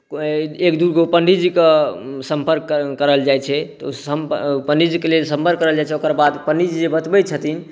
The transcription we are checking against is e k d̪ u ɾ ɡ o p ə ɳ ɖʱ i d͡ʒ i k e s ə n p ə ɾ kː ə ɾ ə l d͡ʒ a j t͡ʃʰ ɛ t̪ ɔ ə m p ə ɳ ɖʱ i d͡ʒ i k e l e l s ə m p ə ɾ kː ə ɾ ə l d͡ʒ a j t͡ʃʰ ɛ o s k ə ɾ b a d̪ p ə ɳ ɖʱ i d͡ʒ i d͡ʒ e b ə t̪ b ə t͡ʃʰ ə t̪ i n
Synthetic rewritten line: e k d̪ u ɾ ɡ o p ə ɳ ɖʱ i d͡ʒ i k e s ə m p ə ɾ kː ə ɾ ə l d͡ʒ a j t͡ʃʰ ɛ t̪ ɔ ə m p ə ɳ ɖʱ i d͡ʒ i k e l e l s ə m p ə ɾ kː ə ɾ ə l d͡ʒ a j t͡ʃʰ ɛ o k ə ɾ b a d̪ p ə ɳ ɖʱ i d͡ʒ i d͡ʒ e b ə t̪ b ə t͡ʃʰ ə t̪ i n